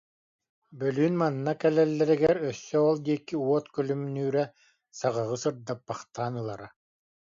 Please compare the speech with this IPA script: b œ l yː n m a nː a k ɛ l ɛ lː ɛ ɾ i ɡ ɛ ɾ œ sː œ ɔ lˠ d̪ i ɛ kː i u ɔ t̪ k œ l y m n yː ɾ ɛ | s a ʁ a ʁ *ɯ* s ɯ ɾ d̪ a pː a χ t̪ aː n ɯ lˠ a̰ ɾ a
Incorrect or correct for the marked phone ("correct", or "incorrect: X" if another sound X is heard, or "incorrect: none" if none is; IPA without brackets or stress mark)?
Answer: correct